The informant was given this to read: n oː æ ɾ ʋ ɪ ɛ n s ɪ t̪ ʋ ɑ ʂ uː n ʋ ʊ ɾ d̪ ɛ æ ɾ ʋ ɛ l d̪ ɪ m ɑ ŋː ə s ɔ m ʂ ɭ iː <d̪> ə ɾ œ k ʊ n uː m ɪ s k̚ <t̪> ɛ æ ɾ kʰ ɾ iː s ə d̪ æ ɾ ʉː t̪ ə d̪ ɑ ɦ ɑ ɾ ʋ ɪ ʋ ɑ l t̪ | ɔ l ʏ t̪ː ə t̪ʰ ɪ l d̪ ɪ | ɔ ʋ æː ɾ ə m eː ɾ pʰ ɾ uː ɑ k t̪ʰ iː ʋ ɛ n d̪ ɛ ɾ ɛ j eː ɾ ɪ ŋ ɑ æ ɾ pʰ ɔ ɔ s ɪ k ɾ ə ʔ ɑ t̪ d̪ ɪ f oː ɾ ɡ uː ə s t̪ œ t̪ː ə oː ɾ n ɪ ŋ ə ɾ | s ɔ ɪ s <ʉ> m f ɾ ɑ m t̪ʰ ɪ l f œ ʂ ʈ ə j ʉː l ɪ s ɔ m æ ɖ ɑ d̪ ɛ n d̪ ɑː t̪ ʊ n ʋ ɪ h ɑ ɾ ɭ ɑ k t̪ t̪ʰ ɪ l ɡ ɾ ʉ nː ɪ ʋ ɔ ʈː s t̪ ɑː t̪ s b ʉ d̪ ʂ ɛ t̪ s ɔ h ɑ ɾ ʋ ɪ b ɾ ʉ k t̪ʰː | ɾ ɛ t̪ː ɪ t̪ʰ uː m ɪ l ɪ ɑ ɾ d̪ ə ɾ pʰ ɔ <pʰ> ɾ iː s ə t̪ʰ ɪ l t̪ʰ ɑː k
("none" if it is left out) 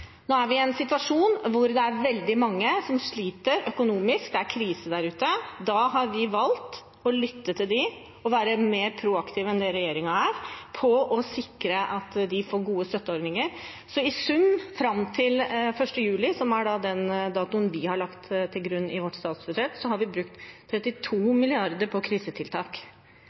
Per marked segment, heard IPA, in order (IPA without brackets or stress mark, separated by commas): t̪, d̪, ʉ, kʰ